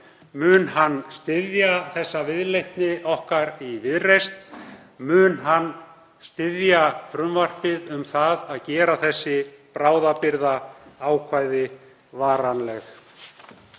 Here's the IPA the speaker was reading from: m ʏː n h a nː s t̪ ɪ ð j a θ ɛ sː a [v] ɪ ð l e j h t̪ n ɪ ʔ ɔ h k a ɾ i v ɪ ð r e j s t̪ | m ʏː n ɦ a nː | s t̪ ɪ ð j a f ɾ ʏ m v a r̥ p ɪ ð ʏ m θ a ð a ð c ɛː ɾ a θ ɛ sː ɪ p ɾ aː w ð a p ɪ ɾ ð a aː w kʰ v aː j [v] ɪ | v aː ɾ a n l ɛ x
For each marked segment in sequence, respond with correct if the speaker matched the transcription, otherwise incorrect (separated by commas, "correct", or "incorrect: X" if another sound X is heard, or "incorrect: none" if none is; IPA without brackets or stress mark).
correct, incorrect: ð